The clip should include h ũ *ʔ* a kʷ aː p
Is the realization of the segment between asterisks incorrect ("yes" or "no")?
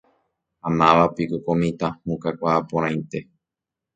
yes